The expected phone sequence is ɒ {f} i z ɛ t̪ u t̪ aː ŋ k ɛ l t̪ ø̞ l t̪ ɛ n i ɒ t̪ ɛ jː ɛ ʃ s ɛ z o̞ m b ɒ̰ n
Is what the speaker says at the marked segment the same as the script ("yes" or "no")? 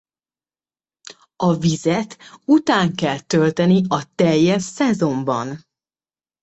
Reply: no